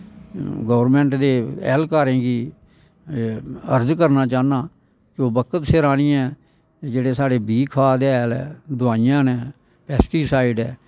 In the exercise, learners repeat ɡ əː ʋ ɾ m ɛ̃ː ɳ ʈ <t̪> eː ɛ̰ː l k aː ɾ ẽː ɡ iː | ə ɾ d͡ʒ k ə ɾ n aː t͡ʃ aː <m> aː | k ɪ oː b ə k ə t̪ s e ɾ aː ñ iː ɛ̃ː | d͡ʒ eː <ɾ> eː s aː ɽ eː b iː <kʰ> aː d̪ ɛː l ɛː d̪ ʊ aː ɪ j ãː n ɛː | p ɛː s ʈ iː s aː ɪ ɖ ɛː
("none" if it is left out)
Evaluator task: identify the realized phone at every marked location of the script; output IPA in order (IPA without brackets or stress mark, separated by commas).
d̪, n, ɽ, kʰ